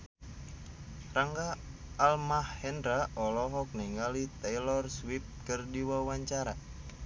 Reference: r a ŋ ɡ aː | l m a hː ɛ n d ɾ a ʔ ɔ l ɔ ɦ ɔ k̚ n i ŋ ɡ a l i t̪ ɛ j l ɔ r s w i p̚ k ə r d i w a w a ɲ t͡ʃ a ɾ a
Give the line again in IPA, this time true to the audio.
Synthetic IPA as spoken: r a ŋ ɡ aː | l m a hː ɛ n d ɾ a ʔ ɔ l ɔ ɦ ɔ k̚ n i ŋ ɡ a l i t̪ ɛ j l ɔ r s w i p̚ k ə r d i w a w a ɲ t͡ʃ a ɾ a